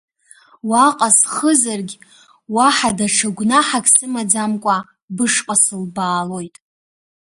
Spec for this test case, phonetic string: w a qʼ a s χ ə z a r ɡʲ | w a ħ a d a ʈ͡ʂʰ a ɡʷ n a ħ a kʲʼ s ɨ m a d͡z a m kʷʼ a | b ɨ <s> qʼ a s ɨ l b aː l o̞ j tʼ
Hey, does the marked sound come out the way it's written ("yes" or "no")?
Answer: no